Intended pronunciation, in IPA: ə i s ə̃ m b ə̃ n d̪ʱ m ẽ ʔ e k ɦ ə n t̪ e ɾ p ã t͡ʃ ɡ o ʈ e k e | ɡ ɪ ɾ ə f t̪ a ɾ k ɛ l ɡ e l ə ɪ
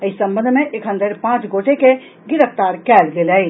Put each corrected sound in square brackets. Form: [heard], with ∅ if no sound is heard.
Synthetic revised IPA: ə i s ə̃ m b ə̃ n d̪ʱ m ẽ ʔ e k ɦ ə n [d̪] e ɾ p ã t͡ʃ ɡ o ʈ e k e | ɡ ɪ ɾ ə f t̪ a ɾ k ɛ l ɡ e l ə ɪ